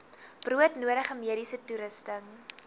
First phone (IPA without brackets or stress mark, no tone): b̥